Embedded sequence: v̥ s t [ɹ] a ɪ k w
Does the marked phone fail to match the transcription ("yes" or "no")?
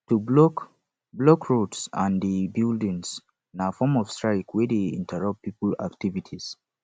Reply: no